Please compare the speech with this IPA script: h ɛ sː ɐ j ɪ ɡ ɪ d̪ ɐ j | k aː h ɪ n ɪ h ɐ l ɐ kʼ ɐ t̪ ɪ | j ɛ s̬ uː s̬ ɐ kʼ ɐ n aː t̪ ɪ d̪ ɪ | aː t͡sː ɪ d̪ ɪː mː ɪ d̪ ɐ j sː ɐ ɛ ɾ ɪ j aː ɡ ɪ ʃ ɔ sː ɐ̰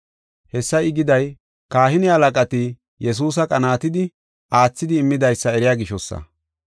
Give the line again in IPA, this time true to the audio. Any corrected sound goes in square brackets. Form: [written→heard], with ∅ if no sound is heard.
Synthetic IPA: h ɛ sː ɐ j ɪ ɡ ɪ d̪ ɐ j | k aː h ɪ n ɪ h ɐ l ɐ kʼ ɐ t̪ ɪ | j ɛ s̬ uː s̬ ɐ kʼ ɐ n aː t̪ ɪ d̪ ɪ | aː t͡sː ɪ d̪ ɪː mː ɪ d̪ ɐ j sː ɐ ɛ ɾ ɪ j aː ɡ ɪ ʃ ɔ sː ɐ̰

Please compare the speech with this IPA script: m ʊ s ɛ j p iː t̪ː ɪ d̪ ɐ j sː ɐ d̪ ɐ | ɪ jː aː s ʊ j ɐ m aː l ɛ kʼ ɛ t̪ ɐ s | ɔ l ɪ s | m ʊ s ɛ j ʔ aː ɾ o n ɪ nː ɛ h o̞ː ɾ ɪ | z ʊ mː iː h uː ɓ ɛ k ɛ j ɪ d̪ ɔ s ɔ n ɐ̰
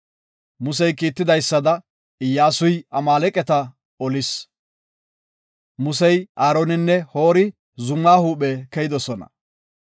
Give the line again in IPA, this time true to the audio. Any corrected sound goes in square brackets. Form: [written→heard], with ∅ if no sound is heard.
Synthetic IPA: m ʊ s ɛ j [p→k] iː t̪ː ɪ d̪ ɐ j sː ɐ d̪ ɐ | ɪ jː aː s ʊ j ɐ m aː l ɛ kʼ ɛ t̪ ɐ [s→∅] | ɔ l ɪ s | m ʊ s ɛ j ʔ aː ɾ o n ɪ nː ɛ h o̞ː ɾ ɪ | z ʊ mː [iː→aː] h uː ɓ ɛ k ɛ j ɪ d̪ ɔ s ɔ n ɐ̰

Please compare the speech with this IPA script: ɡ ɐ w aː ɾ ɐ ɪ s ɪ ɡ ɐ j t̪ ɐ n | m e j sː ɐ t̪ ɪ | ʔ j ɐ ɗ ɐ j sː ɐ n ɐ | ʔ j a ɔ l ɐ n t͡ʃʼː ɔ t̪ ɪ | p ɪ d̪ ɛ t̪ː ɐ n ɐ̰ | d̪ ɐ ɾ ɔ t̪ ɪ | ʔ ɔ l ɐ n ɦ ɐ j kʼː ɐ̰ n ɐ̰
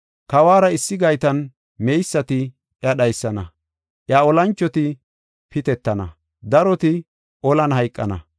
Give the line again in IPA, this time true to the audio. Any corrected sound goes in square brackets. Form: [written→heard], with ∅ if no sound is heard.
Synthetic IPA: [ɡ→k] ɐ w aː ɾ ɐ ɪ [s→sː] ɪ ɡ ɐ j t̪ ɐ n | m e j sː ɐ t̪ ɪ | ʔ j ɐ ɗ ɐ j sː ɐ n ɐ | ʔ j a ɔ l ɐ n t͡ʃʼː ɔ t̪ ɪ | p ɪ [d̪→t̪] ɛ t̪ː ɐ n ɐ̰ | d̪ ɐ ɾ ɔ t̪ ɪ | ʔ ɔ l ɐ n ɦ ɐ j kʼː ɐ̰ n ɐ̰

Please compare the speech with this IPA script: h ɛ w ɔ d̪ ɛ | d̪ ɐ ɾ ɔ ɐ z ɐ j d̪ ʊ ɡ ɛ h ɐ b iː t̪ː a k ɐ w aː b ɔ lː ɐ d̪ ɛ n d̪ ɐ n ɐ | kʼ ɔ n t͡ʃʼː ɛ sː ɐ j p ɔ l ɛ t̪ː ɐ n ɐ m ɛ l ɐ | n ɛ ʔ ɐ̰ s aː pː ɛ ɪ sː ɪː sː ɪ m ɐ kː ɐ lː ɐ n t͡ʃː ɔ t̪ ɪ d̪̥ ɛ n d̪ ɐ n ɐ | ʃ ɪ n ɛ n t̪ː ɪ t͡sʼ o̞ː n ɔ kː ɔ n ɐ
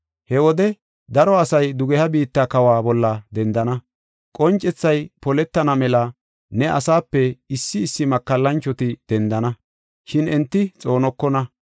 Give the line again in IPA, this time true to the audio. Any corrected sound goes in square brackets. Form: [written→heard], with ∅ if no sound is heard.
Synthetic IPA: h ɛ w ɔ d̪ ɛ | d̪ ɐ ɾ ɔ ɐ [z→s] ɐ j d̪ ʊ ɡ ɛ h ɐ b iː t̪ː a k ɐ w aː b ɔ lː ɐ d̪ ɛ n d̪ ɐ n ɐ | kʼ ɔ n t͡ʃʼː ɛ [sː→t͡sː] ɐ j p ɔ l ɛ t̪ː ɐ n ɐ m ɛ l ɐ | n ɛ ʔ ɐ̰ s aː pː ɛ ɪ sː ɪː sː ɪ m ɐ kː ɐ lː ɐ n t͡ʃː ɔ t̪ ɪ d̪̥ ɛ n d̪ ɐ n ɐ | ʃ ɪ n ɛ n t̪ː ɪ t͡sʼ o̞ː n ɔ kː ɔ n ɐ

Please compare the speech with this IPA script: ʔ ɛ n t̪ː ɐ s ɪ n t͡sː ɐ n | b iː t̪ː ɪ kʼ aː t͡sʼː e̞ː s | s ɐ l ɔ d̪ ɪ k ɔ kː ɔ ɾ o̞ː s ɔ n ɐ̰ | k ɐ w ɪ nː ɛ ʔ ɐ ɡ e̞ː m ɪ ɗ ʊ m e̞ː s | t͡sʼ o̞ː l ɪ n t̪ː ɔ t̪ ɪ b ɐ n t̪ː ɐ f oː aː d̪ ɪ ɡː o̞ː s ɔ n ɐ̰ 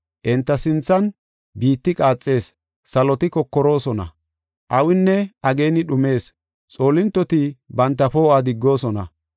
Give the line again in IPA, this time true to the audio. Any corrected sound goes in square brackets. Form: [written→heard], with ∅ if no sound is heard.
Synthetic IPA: ʔ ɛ n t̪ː ɐ s ɪ n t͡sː ɐ n | b iː t̪ː ɪ kʼ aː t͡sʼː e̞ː s | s ɐ l ɔ [d̪→t̪] ɪ k ɔ kː ɔ ɾ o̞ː s ɔ n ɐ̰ | [k→ʔ] ɐ w ɪ nː ɛ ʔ ɐ ɡ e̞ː [m→n] ɪ ɗ ʊ m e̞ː s | t͡sʼ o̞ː l ɪ n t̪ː ɔ t̪ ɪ b ɐ n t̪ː ɐ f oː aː d̪ ɪ ɡː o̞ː s ɔ n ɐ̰

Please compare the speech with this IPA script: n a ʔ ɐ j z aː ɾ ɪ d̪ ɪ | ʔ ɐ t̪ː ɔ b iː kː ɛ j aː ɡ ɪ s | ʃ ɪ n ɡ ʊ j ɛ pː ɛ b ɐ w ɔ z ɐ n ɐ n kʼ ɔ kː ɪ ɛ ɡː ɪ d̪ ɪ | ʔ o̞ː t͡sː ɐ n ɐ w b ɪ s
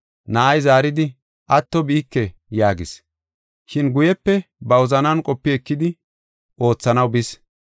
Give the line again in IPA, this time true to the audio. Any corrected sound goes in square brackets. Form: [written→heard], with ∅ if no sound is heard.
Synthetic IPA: n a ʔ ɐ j z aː ɾ ɪ d̪ ɪ | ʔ ɐ t̪ː ɔ b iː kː ɛ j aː ɡ ɪ s | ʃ ɪ n ɡ ʊ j ɛ pː ɛ b ɐ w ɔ z ɐ n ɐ n kʼ ɔ [kː→pː] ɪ ɛ [ɡː→kː] ɪ d̪ ɪ | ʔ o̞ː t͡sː ɐ n ɐ w b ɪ s

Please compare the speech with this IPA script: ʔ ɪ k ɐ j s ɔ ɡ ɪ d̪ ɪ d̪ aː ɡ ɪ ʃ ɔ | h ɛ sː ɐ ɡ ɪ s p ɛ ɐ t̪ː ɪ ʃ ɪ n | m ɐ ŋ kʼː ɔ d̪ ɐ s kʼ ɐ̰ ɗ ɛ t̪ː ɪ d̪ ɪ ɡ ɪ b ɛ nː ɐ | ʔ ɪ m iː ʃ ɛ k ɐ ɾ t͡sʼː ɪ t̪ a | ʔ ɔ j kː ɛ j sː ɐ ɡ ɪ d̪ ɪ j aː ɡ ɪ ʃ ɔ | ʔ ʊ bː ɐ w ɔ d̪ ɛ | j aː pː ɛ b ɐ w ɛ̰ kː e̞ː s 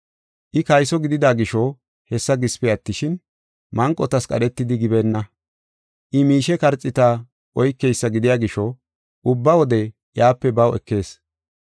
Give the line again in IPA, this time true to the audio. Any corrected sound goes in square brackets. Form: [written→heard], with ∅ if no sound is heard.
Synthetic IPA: ʔ ɪ k ɐ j s ɔ ɡ ɪ d̪ ɪ d̪ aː ɡ ɪ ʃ ɔ | h ɛ sː ɐ ɡ ɪ s p ɛ ɐ t̪ː ɪ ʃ ɪ n | m ɐ ŋ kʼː ɔ [d̪→t̪] ɐ s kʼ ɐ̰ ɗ ɛ t̪ː ɪ d̪ ɪ ɡ ɪ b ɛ nː ɐ | ʔ ɪ m iː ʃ ɛ k ɐ ɾ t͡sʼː ɪ t̪ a | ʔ ɔ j kː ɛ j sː ɐ ɡ ɪ d̪ ɪ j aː ɡ ɪ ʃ ɔ | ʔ ʊ bː ɐ w ɔ d̪ ɛ | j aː pː ɛ b ɐ w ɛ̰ kː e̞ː s

